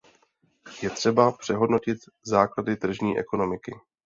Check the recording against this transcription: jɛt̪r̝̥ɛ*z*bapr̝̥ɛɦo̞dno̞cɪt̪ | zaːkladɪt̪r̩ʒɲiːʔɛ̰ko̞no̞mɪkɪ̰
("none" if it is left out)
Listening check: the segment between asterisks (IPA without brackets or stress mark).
none